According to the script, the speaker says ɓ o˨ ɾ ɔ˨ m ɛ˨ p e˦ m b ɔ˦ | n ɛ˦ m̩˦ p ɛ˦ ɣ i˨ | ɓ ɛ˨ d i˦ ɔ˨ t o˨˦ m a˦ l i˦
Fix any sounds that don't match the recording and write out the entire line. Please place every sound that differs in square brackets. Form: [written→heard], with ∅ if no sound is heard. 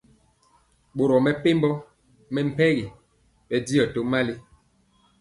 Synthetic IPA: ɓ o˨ ɾ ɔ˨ m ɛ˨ p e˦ m b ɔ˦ | [n→m] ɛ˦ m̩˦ p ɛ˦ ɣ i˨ | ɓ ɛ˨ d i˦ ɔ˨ t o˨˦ m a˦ l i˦